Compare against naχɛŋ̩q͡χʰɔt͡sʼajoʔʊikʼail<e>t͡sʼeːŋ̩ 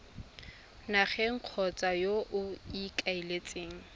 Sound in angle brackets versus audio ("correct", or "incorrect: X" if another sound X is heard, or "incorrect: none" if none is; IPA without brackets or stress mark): correct